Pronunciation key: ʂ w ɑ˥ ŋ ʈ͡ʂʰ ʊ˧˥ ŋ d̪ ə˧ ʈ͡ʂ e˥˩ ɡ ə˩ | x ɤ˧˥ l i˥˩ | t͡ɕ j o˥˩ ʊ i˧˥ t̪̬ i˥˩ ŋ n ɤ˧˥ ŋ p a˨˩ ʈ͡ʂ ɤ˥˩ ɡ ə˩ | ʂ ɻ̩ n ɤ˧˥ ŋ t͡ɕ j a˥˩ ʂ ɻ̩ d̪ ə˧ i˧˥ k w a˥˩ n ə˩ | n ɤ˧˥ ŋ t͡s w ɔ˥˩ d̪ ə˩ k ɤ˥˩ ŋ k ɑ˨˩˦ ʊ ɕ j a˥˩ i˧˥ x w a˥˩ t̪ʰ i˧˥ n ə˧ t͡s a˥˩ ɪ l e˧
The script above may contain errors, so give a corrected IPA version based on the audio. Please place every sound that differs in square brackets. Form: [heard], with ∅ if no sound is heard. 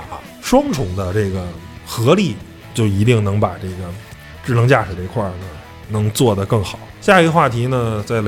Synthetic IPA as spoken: ʂ w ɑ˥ ŋ ʈ͡ʂʰ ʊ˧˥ ŋ d̪ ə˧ ʈ͡ʂ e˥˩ ɡ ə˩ | x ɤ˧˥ l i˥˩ | t͡ɕ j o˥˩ ʊ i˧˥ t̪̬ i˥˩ ŋ n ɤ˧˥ ŋ p a˨˩ ʈ͡ʂ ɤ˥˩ ɡ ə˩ | [ʈ͡ʂ] ɻ̩ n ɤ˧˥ ŋ t͡ɕ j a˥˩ ʂ ɻ̩ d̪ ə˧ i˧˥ [kʰ] w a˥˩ n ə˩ | n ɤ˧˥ ŋ t͡s w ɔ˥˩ d̪ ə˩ k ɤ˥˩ ŋ [x] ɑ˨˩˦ ʊ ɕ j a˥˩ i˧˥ x w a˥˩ t̪ʰ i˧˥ n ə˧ t͡s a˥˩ ɪ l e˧